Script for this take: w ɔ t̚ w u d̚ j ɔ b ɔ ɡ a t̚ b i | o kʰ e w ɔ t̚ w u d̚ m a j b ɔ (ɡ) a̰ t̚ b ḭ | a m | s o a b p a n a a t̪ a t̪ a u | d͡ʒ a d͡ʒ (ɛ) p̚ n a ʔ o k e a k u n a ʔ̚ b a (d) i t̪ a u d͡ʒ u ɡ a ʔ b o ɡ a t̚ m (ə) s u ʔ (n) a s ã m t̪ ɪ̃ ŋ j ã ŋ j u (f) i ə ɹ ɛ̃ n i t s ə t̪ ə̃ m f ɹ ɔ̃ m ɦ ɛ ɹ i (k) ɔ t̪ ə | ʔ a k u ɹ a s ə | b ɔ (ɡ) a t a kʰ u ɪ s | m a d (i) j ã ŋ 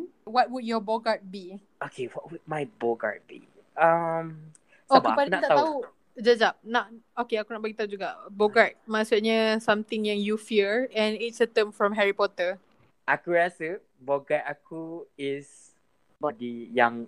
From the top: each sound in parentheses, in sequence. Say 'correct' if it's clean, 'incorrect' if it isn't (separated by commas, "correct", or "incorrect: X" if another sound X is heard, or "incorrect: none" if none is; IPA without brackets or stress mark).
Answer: correct, incorrect: a, incorrect: ɡ, incorrect: a, incorrect: ɲ, correct, incorrect: p, correct, correct